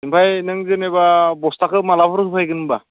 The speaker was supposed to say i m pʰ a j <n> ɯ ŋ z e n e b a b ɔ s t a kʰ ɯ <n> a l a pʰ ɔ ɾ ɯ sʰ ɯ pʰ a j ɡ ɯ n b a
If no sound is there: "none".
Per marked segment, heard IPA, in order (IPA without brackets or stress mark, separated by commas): n, m